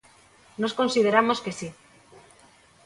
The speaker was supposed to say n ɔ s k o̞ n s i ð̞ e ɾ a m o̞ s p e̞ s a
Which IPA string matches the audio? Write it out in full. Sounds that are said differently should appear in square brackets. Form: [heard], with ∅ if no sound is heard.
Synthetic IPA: n [o] s k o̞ n s i ð̞ e ɾ a m o̞ s [k] e̞ s [i]

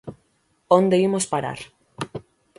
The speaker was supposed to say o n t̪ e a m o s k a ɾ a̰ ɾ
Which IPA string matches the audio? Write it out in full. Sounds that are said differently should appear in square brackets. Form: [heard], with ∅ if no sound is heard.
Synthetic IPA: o n [d̪] e [i] m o s [p] a ɾ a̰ ɾ

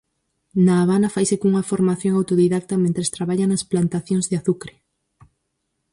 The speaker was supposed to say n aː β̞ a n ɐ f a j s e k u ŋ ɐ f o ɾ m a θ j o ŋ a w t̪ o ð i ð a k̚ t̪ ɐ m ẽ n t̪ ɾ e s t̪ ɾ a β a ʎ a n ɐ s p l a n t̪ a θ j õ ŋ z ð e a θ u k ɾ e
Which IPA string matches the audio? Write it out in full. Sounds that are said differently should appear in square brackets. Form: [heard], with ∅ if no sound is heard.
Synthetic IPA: n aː β̞ a n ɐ f a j s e k u ŋ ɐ f o ɾ m a θ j o ŋ a w t̪ o ð i ð a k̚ t̪ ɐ m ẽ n t̪ ɾ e s t̪ ɾ a β a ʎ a n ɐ s p l a n t̪ a θ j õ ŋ z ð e a θ u k ɾ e

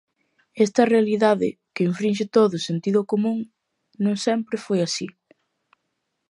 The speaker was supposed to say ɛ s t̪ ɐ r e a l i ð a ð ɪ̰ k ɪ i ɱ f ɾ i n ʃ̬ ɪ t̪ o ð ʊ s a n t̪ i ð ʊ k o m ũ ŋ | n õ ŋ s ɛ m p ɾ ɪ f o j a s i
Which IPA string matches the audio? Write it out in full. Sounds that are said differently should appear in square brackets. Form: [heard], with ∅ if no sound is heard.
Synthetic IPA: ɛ s t̪ ɐ r e a l i ð a ð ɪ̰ k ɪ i ɱ f ɾ i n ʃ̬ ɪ t̪ o ð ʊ s [e] n t̪ i ð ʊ k o m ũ ŋ | n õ ŋ s ɛ m p ɾ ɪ f o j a s i

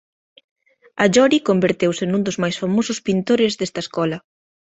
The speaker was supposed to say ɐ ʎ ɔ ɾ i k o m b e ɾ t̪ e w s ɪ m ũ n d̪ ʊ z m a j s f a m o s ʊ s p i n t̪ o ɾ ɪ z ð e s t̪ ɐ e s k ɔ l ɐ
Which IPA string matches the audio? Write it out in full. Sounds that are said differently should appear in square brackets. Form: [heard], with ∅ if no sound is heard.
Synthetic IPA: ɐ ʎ ɔ ɾ i k o m b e ɾ t̪ e w s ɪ [n] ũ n d̪ ʊ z m a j s f a m o s ʊ s p i n t̪ o ɾ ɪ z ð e s t̪ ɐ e s k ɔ l ɐ

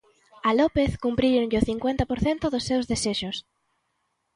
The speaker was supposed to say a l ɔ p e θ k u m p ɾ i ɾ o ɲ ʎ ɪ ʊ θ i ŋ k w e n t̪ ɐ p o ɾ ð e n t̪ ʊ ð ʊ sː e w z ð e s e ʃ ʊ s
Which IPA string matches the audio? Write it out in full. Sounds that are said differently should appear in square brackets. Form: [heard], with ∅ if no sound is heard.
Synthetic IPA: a l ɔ p e θ k u m p ɾ i ɾ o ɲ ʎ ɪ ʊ θ i ŋ k w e n t̪ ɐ p o ɾ [θ] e n t̪ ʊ ð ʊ sː e w z ð e s e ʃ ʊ s

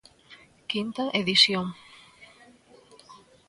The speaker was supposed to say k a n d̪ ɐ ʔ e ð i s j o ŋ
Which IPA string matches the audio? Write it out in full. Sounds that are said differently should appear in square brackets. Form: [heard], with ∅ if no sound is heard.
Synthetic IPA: k [i] n [t̪] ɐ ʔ e ð i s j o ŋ

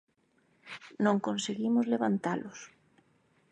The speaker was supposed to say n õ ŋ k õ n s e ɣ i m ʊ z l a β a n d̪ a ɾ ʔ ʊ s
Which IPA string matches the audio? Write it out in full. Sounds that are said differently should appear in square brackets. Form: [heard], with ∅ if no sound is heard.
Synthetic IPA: n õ ŋ k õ n s e ɣ i m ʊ z l [e] β a n [t̪] a [l] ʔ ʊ s

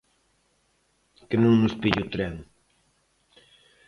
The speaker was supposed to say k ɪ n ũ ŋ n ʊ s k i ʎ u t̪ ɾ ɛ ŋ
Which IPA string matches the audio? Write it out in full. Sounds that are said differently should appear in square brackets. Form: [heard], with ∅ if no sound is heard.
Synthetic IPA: k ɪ n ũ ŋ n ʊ s [p] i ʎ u t̪ ɾ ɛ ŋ

